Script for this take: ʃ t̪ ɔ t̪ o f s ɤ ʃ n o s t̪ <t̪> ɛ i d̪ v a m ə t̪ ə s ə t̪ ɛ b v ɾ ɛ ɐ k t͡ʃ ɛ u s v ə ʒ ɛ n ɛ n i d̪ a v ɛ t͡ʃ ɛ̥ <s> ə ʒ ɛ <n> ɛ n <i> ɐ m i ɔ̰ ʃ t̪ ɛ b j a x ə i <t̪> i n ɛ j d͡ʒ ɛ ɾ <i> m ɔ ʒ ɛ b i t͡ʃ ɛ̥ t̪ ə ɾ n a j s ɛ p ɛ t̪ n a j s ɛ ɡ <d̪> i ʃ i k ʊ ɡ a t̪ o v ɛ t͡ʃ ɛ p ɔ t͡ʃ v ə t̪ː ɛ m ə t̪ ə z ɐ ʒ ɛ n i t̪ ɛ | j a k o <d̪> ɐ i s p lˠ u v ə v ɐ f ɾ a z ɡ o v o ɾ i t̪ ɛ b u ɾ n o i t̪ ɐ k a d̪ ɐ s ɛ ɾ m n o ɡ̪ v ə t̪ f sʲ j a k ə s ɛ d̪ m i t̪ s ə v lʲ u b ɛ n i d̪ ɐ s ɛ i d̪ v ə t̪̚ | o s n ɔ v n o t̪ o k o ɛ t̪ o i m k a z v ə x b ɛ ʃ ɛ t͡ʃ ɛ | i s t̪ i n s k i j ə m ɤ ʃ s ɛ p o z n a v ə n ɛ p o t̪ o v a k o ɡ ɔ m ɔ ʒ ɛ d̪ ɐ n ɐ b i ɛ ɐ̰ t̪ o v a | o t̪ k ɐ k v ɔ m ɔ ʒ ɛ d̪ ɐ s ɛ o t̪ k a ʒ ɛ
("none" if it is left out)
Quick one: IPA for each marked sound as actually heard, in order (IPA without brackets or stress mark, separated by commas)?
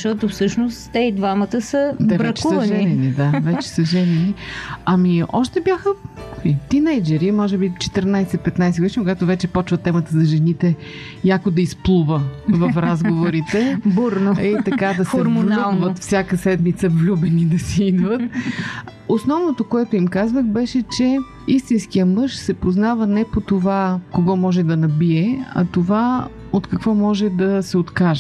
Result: t̪, s, n, i, t̪, i, d̪, d̪